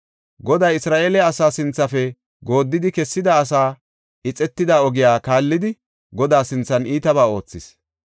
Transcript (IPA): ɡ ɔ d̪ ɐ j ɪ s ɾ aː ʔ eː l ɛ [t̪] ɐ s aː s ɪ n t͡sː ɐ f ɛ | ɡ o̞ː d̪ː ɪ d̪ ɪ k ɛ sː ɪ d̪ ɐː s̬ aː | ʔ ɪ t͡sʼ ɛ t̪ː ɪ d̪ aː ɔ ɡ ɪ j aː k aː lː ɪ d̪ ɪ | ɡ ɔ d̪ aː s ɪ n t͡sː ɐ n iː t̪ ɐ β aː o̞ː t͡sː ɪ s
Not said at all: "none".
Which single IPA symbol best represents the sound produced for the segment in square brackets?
none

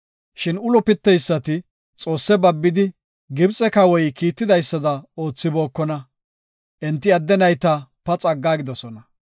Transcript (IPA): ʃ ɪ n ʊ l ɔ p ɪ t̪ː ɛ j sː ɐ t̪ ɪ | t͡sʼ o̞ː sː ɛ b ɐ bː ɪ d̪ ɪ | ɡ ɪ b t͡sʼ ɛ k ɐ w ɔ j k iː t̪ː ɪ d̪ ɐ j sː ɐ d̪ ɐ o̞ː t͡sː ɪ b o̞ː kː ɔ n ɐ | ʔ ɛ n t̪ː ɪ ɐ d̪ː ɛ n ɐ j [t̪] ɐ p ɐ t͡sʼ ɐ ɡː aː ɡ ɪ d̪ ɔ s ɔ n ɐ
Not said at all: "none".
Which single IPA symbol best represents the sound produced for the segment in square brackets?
t̪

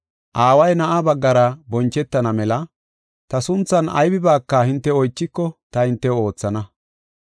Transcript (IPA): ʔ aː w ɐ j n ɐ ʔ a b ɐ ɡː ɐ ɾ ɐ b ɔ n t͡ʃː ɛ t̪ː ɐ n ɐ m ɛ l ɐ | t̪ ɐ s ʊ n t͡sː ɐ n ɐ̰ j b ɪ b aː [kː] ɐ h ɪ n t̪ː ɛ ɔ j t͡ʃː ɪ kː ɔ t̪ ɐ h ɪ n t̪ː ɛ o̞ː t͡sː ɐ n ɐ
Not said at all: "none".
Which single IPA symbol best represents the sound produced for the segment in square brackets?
kː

